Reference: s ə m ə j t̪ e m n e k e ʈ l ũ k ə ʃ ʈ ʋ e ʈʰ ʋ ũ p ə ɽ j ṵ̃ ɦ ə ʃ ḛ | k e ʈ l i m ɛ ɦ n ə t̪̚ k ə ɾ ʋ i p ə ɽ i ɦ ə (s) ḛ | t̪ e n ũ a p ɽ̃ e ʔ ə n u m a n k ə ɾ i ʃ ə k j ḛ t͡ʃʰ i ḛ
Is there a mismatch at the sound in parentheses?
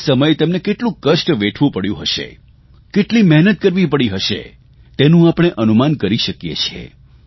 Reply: yes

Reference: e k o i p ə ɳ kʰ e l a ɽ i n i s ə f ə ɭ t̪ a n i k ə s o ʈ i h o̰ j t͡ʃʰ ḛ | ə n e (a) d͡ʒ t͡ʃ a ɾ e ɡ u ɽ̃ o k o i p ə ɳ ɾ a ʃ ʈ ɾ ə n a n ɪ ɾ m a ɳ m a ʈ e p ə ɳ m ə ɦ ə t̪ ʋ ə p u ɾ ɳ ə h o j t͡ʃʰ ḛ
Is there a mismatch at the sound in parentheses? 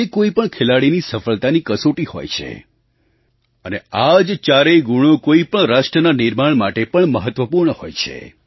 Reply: no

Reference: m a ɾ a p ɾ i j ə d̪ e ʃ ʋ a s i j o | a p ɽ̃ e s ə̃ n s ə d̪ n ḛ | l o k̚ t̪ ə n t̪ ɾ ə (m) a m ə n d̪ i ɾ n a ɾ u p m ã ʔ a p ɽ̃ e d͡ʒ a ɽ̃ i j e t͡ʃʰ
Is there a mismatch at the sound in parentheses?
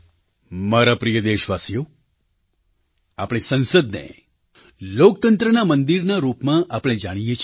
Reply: yes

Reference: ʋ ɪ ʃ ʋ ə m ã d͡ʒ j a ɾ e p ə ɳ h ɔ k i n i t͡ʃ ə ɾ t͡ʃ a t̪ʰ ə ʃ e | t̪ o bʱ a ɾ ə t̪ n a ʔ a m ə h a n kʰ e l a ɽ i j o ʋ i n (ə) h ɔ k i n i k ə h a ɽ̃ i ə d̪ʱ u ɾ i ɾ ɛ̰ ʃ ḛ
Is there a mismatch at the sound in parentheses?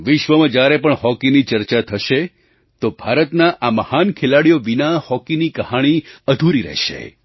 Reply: yes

